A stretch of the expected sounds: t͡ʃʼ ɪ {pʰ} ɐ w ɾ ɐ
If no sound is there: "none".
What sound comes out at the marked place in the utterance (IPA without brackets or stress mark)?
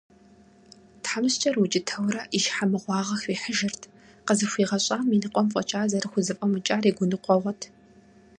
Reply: tʰ